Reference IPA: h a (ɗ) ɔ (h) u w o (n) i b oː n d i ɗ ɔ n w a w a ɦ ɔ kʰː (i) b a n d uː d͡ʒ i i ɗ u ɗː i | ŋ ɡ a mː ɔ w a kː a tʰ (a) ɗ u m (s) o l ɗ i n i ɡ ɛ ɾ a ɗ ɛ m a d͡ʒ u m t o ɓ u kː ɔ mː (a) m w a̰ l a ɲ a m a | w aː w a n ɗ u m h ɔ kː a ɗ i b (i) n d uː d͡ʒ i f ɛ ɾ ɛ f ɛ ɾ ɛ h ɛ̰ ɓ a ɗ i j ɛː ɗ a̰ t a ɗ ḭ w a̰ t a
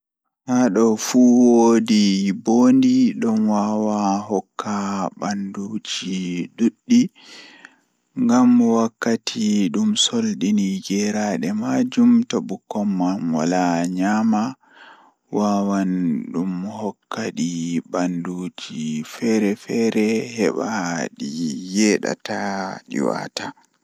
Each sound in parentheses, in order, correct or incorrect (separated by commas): correct, incorrect, incorrect, incorrect, incorrect, correct, correct, incorrect